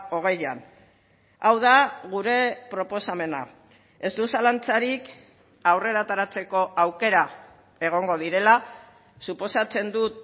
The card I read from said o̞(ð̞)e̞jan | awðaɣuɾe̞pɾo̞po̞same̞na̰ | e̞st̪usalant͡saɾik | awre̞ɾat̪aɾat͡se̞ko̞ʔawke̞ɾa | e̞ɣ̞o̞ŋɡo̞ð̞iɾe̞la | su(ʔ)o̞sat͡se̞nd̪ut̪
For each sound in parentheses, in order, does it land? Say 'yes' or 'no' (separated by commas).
no, no